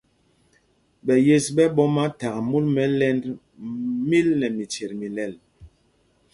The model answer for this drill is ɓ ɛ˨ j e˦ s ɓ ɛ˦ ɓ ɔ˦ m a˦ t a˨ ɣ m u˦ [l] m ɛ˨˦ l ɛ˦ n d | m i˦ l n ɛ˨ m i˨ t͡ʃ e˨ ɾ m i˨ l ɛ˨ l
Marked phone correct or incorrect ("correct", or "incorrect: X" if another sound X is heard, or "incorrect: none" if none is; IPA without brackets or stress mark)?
correct